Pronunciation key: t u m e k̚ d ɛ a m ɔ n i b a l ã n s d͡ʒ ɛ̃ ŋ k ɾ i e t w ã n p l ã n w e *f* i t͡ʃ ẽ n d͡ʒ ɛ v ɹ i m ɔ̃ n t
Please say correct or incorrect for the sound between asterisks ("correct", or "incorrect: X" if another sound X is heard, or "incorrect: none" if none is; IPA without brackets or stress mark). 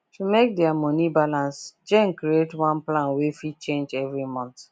correct